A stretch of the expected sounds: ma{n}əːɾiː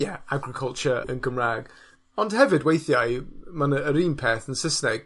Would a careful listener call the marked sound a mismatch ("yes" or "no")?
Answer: no